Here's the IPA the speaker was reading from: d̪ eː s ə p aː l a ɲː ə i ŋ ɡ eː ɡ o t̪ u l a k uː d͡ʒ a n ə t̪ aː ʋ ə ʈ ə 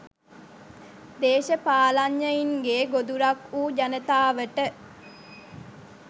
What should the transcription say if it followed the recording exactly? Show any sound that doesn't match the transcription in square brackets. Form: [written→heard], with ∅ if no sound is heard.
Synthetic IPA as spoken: d̪ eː [s→ʃ] ə p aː l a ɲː ə i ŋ ɡ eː ɡ o [t̪→d̪] u [l→ɾ] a k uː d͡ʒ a n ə t̪ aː ʋ ə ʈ ə